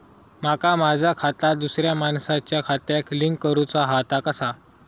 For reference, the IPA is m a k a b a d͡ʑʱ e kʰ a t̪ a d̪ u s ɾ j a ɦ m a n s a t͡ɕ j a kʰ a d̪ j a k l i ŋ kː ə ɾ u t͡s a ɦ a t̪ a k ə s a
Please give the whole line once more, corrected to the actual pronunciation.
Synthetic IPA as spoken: m a k a m a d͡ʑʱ a kʰ a t̪ a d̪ u s ɾ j a m a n s a t͡ɕ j a kʰ a t̪ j a k l i ŋ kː ə ɾ u t͡s a ɦ a t̪ a k ə s a